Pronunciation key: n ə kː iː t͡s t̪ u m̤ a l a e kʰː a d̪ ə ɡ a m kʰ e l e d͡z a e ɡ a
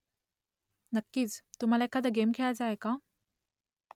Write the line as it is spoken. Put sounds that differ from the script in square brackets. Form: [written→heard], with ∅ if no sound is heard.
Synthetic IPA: n ə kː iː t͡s t̪ u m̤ a l a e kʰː a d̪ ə ɡ [a→e] m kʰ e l [e→a] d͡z a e [ɡ→k] a